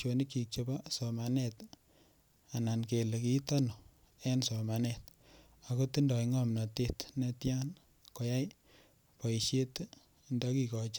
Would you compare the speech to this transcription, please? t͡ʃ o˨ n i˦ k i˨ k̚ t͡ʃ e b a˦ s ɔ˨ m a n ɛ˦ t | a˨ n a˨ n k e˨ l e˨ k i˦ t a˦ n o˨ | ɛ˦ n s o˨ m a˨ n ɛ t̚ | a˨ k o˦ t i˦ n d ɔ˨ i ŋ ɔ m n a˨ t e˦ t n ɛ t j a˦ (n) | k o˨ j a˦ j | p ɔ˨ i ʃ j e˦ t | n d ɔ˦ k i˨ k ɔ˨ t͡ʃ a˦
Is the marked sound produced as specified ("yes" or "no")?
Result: yes